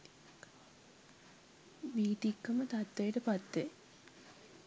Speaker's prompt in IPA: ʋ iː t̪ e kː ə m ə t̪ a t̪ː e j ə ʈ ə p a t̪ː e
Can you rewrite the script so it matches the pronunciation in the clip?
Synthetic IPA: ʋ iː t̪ i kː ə m ə t̪ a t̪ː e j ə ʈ ə p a t̪ː e